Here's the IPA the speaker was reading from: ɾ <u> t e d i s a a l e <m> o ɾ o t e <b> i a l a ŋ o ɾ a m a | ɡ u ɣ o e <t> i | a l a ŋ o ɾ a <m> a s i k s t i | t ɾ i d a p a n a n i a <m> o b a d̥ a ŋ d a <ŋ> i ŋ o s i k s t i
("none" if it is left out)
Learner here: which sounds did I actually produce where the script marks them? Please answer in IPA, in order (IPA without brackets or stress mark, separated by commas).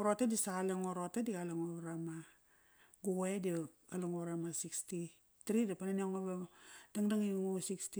o, ŋ, d, d, m, ŋ, ŋ